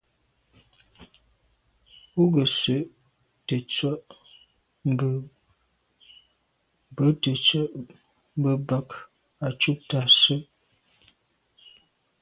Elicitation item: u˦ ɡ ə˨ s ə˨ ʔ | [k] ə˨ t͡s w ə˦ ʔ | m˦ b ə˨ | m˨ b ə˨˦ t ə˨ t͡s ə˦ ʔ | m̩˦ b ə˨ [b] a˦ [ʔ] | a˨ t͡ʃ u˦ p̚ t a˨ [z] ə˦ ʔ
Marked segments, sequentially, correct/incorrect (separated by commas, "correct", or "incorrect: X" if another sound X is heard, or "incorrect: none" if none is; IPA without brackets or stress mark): incorrect: t, correct, incorrect: k, incorrect: s